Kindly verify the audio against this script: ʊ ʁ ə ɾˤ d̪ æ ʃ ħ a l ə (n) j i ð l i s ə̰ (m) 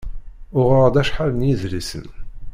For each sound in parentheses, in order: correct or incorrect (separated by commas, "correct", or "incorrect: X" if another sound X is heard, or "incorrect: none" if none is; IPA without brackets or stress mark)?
correct, incorrect: n